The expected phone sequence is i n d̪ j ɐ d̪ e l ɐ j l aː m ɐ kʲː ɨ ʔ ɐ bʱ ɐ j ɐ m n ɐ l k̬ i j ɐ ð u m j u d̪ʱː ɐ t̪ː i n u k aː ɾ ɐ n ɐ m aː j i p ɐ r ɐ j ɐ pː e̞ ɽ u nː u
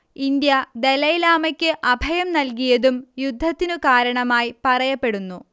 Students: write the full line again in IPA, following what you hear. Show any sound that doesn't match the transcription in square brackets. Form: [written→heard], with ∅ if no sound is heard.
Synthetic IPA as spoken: i n d̪ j ɐ d̪ e l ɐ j l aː m ɐ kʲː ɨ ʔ ɐ bʱ ɐ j ɐ m n ɐ l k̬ i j ɐ ð u m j u d̪ʱː ɐ t̪ː i n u k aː ɾ ɐ [n→ɳ] ɐ m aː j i p ɐ r ɐ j ɐ pː e̞ ɽ u nː u